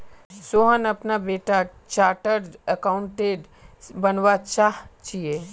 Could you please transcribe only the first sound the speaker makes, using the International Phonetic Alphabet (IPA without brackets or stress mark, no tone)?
s